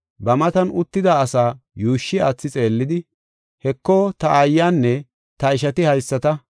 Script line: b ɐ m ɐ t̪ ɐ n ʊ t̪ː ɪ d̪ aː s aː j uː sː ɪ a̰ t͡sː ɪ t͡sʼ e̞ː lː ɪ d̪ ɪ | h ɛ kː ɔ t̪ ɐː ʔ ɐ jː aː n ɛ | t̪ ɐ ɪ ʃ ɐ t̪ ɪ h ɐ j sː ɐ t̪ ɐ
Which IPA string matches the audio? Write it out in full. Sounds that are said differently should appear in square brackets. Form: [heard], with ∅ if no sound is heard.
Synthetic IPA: b ɐ m ɐ t̪ ɐ n ʊ t̪ː ɪ d̪ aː s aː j uː [ʃː] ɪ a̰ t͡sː ɪ t͡sʼ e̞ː lː ɪ d̪ ɪ | h ɛ kː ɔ t̪ [ɐ] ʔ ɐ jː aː [nː] ɛ | t̪ ɐ ɪ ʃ ɐ t̪ ɪ h ɐ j sː ɐ t̪ ɐ

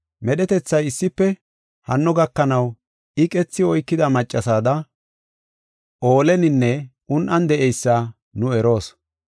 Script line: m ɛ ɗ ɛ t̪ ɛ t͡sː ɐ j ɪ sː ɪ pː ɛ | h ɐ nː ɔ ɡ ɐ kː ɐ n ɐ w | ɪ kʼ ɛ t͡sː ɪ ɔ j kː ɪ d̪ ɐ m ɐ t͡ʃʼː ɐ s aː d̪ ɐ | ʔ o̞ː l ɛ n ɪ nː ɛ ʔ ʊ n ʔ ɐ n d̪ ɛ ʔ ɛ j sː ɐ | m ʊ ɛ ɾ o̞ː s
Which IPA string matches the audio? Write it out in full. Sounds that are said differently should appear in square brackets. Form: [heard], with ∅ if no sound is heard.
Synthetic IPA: m ɛ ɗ ɛ t̪ ɛ t͡sː ɐ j ɪ sː ɪ pː ɛ | h ɐ nː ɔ ɡ ɐ kː ɐ n ɐ w | ɪ kʼ ɛ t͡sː ɪ ɔ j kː ɪ d̪ ɐ m ɐ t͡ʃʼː ɐ s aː d̪ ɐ | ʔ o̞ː l ɛ n ɪ nː ɛ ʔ ʊ n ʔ ɐ n d̪ ɛ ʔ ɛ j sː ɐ | [n] ʊ ɛ ɾ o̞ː s

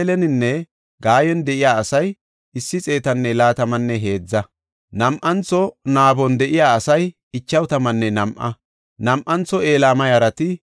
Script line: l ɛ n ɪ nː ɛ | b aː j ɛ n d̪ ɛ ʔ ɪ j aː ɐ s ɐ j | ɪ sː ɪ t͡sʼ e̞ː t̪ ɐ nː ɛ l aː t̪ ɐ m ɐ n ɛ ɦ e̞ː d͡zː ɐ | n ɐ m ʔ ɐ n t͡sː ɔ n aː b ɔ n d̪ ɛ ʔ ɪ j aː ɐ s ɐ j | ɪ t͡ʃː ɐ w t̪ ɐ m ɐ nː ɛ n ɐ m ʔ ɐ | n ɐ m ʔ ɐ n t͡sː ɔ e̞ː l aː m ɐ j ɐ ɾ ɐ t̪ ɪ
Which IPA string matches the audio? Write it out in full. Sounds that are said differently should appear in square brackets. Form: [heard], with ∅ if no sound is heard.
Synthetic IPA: l ɛ n ɪ nː ɛ | [ɡ] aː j ɛ n d̪ ɛ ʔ ɪ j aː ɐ s ɐ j | ɪ sː ɪ t͡sʼ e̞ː t̪ ɐ nː ɛ l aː t̪ ɐ m ɐ [nː] ɛ ɦ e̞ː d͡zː ɐ | n ɐ m ʔ ɐ n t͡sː ɔ n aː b ɔ n d̪ ɛ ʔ ɪ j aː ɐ s ɐ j | ɪ t͡ʃː ɐ w t̪ ɐ m ɐ nː ɛ n ɐ m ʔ ɐ | n ɐ m ʔ ɐ n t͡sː ɔ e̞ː l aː m ɐ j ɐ ɾ ɐ t̪ ɪ

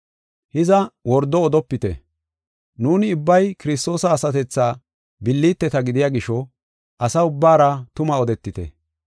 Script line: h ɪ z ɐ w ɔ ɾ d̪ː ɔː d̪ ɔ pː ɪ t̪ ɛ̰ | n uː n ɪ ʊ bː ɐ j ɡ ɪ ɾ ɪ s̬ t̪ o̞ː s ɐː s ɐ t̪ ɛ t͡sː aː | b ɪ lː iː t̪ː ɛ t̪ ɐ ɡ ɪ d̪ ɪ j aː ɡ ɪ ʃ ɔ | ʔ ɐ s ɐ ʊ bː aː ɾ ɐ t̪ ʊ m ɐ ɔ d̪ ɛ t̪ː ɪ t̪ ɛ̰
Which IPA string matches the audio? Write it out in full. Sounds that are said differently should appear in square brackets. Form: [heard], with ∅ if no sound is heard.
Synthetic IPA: h ɪ z ɐ w ɔ ɾ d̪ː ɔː d̪ ɔ pː ɪ t̪ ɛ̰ | n uː n ɪ ʊ bː ɐ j [k] ɪ ɾ ɪ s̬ t̪ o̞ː s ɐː s ɐ t̪ ɛ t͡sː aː | b ɪ lː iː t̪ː ɛ t̪ ɐ ɡ ɪ d̪ ɪ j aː ɡ ɪ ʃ ɔ | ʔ ɐ s ɐ ʊ bː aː ɾ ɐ t̪ ʊ m ɐ ɔ d̪ ɛ t̪ː ɪ t̪ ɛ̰

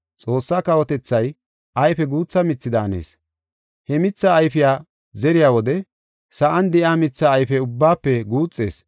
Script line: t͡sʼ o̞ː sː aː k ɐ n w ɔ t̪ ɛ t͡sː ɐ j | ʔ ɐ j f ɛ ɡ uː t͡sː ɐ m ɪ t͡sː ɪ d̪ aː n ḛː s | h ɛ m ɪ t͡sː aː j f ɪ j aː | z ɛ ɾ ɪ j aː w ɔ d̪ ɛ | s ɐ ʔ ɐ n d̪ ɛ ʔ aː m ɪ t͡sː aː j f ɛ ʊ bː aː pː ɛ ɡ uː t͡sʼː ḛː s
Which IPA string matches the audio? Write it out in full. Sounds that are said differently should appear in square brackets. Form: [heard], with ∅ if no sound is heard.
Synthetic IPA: t͡sʼ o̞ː sː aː k ɐ [∅] w ɔ t̪ ɛ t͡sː ɐ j | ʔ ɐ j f ɛ ɡ uː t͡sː ɐ m ɪ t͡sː ɪ d̪ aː n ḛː s | h ɛ m ɪ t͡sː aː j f ɪ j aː | z ɛ ɾ ɪ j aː w ɔ d̪ ɛ | s ɐ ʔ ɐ n d̪ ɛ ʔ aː m ɪ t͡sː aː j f ɛ ʊ bː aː pː ɛ ɡ uː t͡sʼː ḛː s

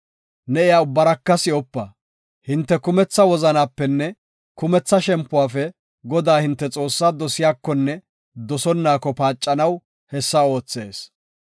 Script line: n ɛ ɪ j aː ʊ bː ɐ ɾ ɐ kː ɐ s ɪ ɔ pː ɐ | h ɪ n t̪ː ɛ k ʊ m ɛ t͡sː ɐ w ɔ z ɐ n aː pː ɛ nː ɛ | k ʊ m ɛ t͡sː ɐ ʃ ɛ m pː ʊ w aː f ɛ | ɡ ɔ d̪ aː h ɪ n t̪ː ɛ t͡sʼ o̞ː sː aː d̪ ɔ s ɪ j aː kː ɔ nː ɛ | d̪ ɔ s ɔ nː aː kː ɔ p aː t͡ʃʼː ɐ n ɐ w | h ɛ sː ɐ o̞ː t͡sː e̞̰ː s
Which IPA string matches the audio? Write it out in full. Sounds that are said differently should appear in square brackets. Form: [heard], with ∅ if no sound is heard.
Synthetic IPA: n ɛ ɪ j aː ʊ bː ɐ ɾ ɐ kː ɐ s ɪ ɔ pː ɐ | h ɪ n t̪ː ɛ k ʊ m ɛ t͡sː ɐ w ɔ z ɐ n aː pː ɛ nː ɛ | k ʊ m ɛ t͡sː ɐ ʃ ɛ m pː ʊ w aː f ɛ | ɡ ɔ d̪ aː h ɪ n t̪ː ɛ t͡sʼ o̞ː sː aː d̪ ɔ s ɪ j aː kː ɔ nː ɛ | d̪ ɔ s ɔ nː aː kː ɔ p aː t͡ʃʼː ɐ n ɐ w | h ɛ sː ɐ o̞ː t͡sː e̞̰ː s

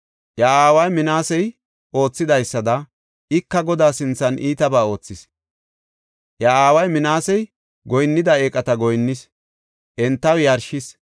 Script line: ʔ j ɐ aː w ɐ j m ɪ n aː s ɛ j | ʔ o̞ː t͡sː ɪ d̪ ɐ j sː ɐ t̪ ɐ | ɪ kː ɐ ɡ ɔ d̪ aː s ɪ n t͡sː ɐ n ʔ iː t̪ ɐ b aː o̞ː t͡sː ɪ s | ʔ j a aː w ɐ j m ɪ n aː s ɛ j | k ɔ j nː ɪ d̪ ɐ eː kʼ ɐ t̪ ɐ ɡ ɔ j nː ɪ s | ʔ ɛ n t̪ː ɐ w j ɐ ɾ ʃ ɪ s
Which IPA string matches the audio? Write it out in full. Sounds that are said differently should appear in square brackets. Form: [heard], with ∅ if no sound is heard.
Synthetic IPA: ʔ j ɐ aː w ɐ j m ɪ n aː s ɛ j | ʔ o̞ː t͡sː ɪ d̪ ɐ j sː ɐ [d̪] ɐ | ɪ kː ɐ ɡ ɔ d̪ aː s ɪ n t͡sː ɐ n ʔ iː t̪ ɐ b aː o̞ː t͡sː ɪ s | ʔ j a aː w ɐ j m ɪ n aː s ɛ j | [ɡ] ɔ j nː ɪ d̪ ɐ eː kʼ ɐ t̪ ɐ ɡ ɔ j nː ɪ s | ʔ ɛ n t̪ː ɐ w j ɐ ɾ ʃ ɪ s

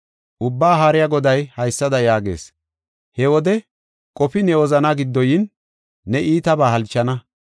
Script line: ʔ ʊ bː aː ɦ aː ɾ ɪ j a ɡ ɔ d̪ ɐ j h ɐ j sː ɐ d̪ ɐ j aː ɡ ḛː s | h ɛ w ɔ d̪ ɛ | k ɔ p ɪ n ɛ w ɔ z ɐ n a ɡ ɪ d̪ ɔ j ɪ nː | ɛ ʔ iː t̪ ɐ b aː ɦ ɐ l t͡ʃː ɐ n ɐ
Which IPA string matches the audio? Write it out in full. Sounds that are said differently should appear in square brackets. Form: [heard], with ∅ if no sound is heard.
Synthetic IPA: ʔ ʊ bː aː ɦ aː ɾ ɪ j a ɡ ɔ d̪ ɐ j h ɐ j sː ɐ d̪ ɐ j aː ɡ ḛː s | h ɛ w ɔ d̪ ɛ | [kʼ] ɔ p ɪ n ɛ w ɔ z ɐ n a ɡ ɪ [d̪ː] ɔ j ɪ nː | ɛ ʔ iː t̪ ɐ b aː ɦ ɐ l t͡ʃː ɐ n ɐ

